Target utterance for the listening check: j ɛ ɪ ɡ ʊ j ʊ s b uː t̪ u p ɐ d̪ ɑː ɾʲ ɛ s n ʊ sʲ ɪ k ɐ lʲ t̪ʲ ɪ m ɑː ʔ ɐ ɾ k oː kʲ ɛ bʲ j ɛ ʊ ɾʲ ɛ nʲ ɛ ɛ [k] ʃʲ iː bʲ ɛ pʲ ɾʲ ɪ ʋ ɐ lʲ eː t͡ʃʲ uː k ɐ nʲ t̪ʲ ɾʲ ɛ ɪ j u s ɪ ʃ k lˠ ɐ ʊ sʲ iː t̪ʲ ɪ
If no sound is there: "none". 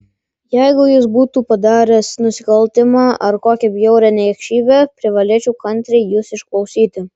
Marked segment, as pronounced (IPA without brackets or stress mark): k